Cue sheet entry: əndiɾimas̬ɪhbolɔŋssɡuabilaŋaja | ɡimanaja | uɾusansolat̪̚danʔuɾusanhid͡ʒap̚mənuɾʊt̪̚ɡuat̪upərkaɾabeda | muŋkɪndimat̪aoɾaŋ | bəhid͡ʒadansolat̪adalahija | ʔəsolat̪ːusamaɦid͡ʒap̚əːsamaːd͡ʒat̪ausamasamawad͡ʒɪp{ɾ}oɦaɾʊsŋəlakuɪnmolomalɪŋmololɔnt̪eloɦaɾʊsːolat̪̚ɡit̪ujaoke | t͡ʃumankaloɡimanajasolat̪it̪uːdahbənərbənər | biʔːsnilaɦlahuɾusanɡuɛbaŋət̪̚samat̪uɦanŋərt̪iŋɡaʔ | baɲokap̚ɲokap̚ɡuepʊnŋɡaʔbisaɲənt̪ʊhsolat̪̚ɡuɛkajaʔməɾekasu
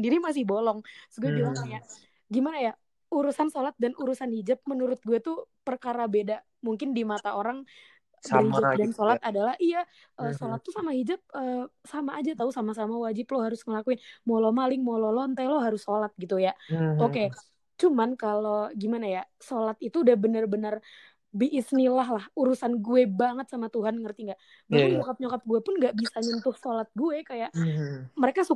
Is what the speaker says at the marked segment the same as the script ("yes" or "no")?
no